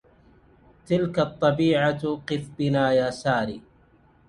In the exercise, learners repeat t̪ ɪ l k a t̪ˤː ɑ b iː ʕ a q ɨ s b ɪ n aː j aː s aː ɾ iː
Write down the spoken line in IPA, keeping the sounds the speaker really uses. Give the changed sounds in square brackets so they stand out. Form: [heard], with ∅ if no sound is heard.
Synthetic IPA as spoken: t̪ ɪ l k a t̪ˤː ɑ b iː ʕ a q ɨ [f] b ɪ n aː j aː s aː ɾ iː